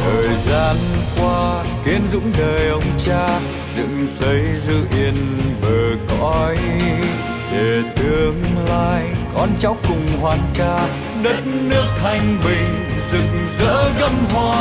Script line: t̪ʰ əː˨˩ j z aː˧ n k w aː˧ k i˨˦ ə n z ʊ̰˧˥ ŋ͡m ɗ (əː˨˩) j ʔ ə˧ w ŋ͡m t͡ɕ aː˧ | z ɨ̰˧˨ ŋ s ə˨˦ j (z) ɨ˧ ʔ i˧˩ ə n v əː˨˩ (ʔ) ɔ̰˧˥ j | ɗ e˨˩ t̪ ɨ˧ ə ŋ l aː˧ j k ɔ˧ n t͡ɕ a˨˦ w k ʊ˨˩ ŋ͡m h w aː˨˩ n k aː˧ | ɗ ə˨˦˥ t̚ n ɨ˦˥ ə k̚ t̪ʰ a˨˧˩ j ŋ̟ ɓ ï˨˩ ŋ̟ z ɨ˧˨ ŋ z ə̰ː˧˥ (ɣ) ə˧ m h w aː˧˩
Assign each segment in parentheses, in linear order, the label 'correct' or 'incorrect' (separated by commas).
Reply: correct, correct, incorrect, correct